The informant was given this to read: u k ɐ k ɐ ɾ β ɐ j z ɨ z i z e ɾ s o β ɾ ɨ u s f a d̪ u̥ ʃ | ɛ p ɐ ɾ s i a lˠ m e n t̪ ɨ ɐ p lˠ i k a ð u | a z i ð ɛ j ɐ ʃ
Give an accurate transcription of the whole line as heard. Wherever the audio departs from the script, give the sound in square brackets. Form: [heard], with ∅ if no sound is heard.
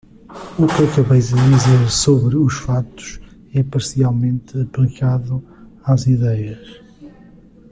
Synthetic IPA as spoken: u k ɐ k ɐ [∅] β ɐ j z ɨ [ð] i z e ɾ s o β ɾ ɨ u [ʃ] f a [t̪] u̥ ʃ | ɛ p ɐ ɾ s i a lˠ m [ẽ] n t̪ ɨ ɐ p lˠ i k a ð u | a z i ð ɛ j ɐ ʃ

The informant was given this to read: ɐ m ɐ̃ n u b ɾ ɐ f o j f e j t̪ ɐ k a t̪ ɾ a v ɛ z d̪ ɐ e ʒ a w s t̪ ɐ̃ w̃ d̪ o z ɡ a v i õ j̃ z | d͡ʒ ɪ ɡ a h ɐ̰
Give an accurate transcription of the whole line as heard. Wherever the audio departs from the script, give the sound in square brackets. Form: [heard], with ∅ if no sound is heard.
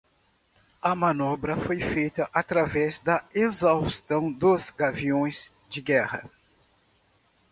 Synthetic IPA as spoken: ɐ m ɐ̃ n [ɔ] b ɾ ɐ f o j f e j t̪ ɐ [ʔ] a t̪ ɾ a v ɛ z d̪ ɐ e [z] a w s t̪ ɐ̃ w̃ d̪ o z ɡ a v i õ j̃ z | d͡ʒ ɪ ɡ [ɛ] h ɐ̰

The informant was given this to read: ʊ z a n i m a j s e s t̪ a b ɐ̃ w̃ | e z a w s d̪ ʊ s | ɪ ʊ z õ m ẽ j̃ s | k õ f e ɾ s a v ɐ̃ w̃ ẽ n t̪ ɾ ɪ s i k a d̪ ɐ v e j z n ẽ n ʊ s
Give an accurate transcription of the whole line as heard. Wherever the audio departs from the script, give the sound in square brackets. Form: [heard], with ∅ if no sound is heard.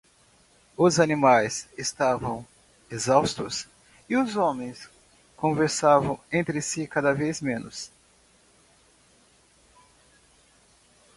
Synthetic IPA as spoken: ʊ z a n i m a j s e s t̪ a [v] ɐ̃ w̃ | e z a w s [t̪] ʊ s | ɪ ʊ z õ m ẽ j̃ s | k õ [v] e ɾ s a v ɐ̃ w̃ ẽ n t̪ ɾ ɪ s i k a d̪ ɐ v e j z [m] ẽ n ʊ s

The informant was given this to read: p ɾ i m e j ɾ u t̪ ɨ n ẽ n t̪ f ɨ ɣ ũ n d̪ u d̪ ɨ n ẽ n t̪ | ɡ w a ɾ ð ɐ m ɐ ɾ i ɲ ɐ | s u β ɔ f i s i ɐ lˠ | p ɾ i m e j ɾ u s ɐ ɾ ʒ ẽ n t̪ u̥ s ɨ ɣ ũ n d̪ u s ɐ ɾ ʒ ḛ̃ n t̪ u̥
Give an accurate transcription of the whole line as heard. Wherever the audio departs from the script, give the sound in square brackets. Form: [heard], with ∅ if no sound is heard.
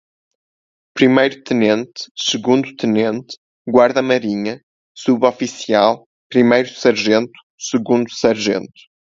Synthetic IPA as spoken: p ɾ i m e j ɾ u t̪ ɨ n ẽ n t̪ [s] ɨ ɣ ũ n d̪ u [t̪] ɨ n ẽ n t̪ | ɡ w a ɾ ð ɐ m ɐ ɾ i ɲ ɐ | s u β ɔ f i s i [a] lˠ | p ɾ i m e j ɾ u s ɐ ɾ ʒ ẽ n t̪ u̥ s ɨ ɣ ũ n d̪ u s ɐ ɾ ʒ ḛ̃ n t̪ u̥

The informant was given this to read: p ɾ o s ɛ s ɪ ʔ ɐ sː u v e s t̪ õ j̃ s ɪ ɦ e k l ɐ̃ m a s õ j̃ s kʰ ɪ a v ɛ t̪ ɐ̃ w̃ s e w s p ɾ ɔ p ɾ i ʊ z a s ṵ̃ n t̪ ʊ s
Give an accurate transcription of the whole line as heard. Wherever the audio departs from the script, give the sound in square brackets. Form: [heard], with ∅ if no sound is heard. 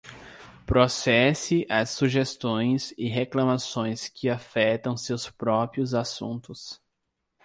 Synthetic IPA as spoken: p ɾ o s ɛ s ɪ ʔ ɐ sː u [ʒ] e s t̪ õ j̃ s ɪ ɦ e k l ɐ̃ m a s õ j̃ s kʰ ɪ a [f] ɛ t̪ ɐ̃ w̃ s e w s p ɾ ɔ p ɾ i ʊ z a s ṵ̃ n t̪ ʊ s

